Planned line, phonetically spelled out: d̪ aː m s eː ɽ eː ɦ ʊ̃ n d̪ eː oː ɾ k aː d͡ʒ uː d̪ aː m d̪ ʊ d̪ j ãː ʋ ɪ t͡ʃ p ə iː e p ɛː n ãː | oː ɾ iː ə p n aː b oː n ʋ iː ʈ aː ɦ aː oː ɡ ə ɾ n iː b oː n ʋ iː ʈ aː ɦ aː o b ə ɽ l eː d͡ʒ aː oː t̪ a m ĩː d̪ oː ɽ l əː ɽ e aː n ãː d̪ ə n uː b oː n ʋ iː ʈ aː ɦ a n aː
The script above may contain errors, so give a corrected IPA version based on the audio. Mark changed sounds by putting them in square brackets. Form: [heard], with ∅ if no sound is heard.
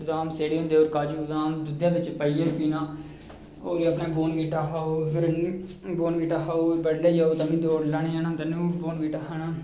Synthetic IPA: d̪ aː m s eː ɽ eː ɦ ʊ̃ n d̪ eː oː ɾ k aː d͡ʒ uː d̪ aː m d̪ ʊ d̪ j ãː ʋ ɪ t͡ʃ p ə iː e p [iː] n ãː | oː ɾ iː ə p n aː b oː n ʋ iː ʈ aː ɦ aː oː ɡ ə ɾ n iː b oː n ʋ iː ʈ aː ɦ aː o b ə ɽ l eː d͡ʒ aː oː t̪ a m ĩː d̪ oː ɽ l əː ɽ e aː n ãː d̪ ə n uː b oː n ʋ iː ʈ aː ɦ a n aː